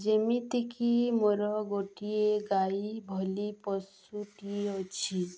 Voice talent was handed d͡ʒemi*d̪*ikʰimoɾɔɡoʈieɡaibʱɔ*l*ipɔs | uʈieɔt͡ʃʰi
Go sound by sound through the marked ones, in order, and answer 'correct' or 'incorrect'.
incorrect, correct

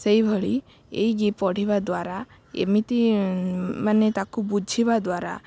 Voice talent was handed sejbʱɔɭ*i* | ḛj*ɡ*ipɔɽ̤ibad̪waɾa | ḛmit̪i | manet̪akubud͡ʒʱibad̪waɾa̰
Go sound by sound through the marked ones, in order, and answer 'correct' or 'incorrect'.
correct, correct

